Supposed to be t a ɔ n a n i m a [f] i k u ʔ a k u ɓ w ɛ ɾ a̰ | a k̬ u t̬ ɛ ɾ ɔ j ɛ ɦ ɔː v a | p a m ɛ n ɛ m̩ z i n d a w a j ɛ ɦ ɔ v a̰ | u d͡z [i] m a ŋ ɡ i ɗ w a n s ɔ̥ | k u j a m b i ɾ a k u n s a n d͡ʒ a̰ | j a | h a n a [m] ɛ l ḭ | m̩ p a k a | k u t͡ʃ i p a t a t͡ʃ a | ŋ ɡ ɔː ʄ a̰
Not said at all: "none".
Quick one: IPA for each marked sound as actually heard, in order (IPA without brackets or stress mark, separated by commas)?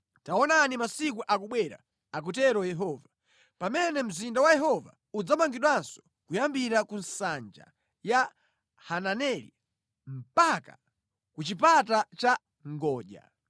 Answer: s, a, n